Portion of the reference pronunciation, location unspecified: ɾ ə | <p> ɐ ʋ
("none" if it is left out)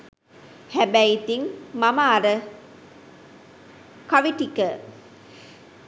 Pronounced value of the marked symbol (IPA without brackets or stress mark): k